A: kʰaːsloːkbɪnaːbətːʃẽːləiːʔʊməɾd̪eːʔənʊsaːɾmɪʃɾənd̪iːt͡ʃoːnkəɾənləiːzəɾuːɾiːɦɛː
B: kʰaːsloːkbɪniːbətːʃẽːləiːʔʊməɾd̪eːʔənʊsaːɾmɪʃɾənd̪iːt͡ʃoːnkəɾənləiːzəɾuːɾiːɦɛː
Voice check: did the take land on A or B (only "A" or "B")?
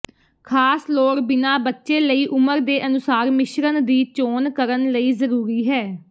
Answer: A